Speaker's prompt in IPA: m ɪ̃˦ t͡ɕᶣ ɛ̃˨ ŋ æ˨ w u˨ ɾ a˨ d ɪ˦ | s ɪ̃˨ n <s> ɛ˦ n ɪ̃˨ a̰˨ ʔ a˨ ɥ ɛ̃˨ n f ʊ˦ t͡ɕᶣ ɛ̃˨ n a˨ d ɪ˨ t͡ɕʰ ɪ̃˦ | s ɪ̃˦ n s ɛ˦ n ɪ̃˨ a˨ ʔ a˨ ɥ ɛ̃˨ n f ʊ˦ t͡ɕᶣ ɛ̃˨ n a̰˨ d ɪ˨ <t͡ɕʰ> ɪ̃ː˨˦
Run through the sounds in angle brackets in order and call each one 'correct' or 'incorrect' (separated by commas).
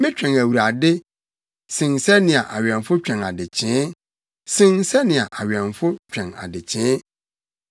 correct, correct